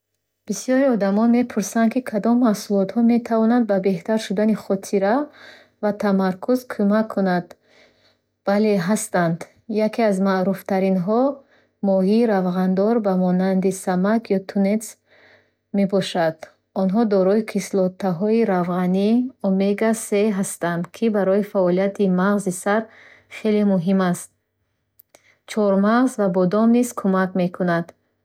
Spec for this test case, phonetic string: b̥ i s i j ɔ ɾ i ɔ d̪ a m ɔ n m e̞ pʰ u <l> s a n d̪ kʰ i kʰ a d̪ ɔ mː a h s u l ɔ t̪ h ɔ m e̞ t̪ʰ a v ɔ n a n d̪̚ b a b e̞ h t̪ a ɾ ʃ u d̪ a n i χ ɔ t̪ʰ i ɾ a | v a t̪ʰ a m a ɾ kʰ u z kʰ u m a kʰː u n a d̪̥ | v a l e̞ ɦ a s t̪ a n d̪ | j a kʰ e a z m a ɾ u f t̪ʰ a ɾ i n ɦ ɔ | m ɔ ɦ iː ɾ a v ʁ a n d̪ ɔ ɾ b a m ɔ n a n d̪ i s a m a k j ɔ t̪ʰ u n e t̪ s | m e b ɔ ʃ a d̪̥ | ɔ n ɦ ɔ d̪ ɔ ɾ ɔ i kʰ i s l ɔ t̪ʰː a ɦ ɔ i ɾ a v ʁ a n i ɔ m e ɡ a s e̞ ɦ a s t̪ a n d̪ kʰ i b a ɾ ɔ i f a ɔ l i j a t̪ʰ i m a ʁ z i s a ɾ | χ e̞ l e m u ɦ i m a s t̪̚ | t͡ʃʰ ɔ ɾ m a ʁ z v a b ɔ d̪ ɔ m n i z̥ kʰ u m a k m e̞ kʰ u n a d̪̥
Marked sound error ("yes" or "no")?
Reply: yes